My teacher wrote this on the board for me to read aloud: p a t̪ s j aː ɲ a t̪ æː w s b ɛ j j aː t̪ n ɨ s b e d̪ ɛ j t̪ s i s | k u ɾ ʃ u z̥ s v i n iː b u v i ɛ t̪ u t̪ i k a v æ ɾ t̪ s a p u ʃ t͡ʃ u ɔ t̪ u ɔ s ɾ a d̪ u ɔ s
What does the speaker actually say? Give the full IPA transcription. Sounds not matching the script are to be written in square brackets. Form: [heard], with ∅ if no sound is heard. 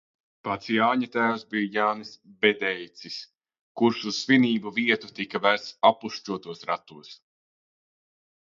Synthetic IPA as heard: p a t̪ s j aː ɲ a t̪ æː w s b [i] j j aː [∅] n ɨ s b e d̪ ɛ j t̪ s i s | k u ɾ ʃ u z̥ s v i n iː b u v i ɛ t̪ u t̪ i k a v æ ɾ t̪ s a p u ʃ t͡ʃ u ɔ t̪ u ɔ s ɾ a [t̪] u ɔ s

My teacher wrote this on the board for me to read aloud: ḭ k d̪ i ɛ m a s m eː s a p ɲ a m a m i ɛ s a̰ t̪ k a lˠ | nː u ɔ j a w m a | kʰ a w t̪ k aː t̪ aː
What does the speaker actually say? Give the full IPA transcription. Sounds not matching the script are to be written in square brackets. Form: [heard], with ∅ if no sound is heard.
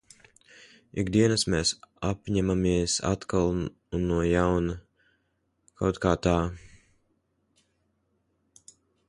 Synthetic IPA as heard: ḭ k d̪ i ɛ [n] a s m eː s a p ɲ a m a m i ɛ s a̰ t̪ k a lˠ | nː u ɔ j a w [n] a | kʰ a w t̪ k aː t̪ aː

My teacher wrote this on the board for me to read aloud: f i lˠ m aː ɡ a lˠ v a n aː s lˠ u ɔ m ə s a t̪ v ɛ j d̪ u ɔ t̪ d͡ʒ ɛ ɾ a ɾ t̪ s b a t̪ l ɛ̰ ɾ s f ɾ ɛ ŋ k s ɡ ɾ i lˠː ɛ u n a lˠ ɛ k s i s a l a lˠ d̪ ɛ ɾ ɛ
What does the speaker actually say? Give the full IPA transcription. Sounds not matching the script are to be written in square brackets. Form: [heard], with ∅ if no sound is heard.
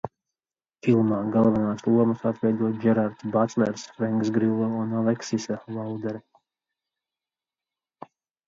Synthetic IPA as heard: f i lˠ m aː ɡ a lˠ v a n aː s lˠ u ɔ m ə s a t̪ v ɛ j d̪ u ɔ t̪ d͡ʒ ɛ ɾ a ɾ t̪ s b a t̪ l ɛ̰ ɾ s f ɾ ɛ ŋ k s ɡ ɾ i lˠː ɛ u n a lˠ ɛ k s i s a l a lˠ d̪ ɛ ɾ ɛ

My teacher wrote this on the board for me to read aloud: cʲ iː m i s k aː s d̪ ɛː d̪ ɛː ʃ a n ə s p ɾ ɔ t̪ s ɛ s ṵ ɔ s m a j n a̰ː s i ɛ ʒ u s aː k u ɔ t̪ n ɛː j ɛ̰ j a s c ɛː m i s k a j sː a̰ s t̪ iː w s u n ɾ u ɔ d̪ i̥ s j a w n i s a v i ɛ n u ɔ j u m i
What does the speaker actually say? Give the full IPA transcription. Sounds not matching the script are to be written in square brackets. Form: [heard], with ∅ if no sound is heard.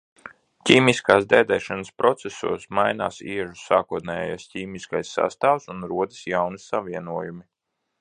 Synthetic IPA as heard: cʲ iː m i s k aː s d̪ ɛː d̪ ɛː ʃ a n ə s p ɾ ɔ t̪ s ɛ s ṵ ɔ s m a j n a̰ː s i ɛ ʒ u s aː k u ɔ t̪ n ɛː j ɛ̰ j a s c [iː] m i s k a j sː a̰ s t̪ [aː] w s u n ɾ u ɔ d̪ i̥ s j a w n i s a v i ɛ n u ɔ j u m i

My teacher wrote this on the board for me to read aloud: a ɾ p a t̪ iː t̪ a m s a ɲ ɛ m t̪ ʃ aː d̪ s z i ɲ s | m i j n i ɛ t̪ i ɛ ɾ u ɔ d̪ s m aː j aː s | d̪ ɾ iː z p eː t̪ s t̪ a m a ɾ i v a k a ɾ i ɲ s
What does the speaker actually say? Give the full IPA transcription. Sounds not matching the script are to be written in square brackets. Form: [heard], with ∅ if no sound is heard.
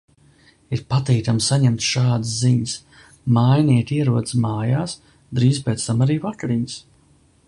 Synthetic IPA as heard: [i] ɾ p a t̪ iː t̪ a m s a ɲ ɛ m t̪ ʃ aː d̪ s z i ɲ s | m [a] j n i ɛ t̪ i ɛ ɾ u ɔ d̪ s m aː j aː s | d̪ ɾ iː z p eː t̪ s t̪ a m a ɾ [iː] v a k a ɾ i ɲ s

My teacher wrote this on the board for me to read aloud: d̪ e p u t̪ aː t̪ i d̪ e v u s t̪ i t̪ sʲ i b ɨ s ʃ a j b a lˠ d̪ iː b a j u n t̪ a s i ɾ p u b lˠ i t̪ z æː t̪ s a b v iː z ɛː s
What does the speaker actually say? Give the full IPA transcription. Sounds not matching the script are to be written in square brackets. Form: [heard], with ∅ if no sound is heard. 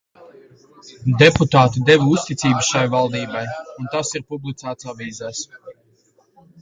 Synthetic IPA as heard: d̪ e p u t̪ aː t̪ i d̪ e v u s t̪ i t̪ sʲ [iː] b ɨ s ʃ a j [v] a lˠ d̪ iː b a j u n t̪ a s i ɾ p u b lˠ i t̪ [s] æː t̪ s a [∅] v iː z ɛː s

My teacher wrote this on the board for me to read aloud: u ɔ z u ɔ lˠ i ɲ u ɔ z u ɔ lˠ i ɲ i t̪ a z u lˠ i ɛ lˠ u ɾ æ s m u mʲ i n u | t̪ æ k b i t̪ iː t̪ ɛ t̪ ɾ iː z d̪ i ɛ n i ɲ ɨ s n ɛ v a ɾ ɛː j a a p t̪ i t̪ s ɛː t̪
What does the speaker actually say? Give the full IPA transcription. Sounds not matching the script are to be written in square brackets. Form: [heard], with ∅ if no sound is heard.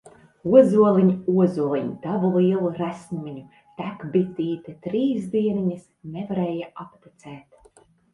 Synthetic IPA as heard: u ɔ z u ɔ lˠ i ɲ u ɔ z u ɔ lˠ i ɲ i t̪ a [v] u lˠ i ɛ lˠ u ɾ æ s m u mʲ i [ɲ] u | t̪ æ k b i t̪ iː t̪ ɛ t̪ ɾ iː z d̪ i ɛ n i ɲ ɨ s n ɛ v a ɾ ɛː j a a p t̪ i t̪ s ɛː t̪

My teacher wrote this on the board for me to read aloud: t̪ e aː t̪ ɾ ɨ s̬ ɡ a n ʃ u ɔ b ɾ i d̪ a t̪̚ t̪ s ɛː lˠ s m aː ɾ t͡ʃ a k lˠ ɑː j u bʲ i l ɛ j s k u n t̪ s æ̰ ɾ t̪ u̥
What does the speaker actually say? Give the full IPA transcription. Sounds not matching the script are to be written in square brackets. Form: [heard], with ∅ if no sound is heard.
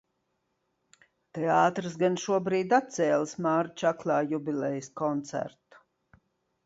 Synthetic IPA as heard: t̪ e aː t̪ ɾ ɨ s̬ ɡ a n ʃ u ɔ b ɾ [iː] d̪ a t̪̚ t̪ s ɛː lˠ s m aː ɾ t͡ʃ a k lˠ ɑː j u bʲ i l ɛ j s k [ɔ] n t̪ s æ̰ ɾ t̪ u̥

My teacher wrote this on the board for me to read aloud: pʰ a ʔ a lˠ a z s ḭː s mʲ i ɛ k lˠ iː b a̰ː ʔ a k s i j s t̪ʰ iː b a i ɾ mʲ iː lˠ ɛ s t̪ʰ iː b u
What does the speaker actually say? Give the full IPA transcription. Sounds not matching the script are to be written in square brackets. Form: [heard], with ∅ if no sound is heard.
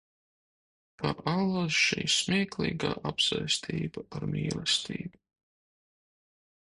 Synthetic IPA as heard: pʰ a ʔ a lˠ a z [ʃ] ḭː s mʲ i ɛ k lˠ iː [ɡ] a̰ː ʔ a [p] s [a] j s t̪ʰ iː b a [a] ɾ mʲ iː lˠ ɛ s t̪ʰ iː b u

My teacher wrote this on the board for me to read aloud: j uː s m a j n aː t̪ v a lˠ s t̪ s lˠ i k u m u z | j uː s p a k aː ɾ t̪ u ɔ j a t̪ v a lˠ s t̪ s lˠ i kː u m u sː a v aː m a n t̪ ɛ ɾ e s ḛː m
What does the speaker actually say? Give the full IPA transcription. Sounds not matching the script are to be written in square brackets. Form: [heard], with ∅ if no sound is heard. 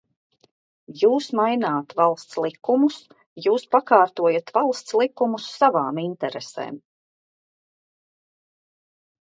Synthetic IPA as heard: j uː s m a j n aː t̪ v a lˠ s t̪ s lˠ i k u m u [s] | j uː s p a k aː ɾ t̪ u ɔ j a t̪ v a lˠ s t̪ s lˠ i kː u m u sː a v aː m [i] n t̪ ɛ ɾ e s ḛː m

